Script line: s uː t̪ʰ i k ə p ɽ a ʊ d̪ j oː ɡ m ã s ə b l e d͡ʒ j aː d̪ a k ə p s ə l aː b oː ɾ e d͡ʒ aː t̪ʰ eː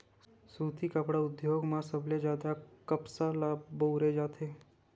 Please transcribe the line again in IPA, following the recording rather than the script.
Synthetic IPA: s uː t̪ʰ i k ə p ɽ a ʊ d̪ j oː ɡ m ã s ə b l e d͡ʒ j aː d̪ a k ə p s a l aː b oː ɾ e d͡ʒ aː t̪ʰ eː